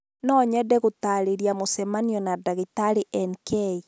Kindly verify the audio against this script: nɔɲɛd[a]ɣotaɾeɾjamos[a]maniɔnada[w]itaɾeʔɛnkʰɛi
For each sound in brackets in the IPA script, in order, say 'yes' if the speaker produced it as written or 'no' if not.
no, no, no

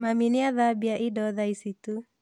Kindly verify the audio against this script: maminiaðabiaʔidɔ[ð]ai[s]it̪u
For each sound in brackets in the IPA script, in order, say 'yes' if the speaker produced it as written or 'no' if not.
yes, yes

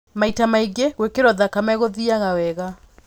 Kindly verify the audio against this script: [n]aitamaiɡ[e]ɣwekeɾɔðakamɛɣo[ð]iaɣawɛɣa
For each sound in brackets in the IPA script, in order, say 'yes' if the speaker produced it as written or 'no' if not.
no, yes, yes

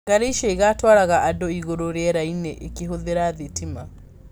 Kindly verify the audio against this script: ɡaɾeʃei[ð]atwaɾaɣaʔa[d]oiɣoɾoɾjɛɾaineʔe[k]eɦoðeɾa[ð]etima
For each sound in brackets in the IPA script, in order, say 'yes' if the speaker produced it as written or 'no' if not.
no, yes, yes, yes

